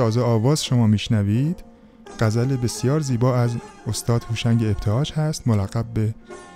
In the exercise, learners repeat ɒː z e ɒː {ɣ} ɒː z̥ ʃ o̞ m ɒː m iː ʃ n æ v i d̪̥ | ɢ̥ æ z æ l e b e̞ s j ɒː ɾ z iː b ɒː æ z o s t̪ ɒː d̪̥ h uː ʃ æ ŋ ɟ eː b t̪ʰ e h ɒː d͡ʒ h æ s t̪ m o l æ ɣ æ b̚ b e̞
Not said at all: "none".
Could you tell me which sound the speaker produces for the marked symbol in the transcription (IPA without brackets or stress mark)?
v